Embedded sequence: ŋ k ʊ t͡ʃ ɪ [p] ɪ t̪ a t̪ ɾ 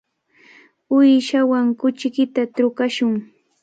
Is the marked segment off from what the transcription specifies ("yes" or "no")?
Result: yes